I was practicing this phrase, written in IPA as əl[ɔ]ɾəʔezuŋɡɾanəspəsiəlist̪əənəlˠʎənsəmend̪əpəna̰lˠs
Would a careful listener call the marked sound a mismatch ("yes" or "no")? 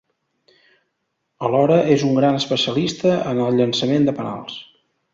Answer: no